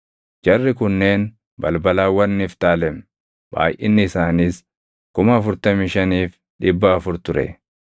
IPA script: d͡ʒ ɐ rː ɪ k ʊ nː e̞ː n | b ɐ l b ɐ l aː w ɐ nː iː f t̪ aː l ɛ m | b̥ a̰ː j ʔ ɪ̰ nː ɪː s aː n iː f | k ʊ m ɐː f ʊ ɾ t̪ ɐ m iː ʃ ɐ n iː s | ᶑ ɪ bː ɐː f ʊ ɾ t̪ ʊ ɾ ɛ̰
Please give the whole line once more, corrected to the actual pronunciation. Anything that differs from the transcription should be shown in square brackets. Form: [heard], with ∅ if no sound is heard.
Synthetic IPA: d͡ʒ ɐ rː ɪ k ʊ nː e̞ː n | b ɐ l b ɐ l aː w ɐ nː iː f t̪ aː l ɛ m | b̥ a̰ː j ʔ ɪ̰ nː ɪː s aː n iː [s] | k ʊ m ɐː f ʊ ɾ t̪ ɐ m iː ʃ ɐ n iː [f] | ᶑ ɪ bː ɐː f ʊ ɾ t̪ ʊ ɾ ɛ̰